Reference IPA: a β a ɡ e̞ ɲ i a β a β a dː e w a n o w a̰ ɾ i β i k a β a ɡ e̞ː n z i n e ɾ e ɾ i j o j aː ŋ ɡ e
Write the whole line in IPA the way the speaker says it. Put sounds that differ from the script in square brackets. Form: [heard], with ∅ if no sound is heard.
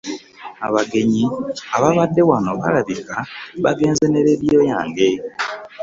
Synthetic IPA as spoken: a β a ɡ e̞ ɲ i a β a β a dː e w a n o [β] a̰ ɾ [a] β i k a β a ɡ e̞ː n z [e] n e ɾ e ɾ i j o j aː ŋ ɡ e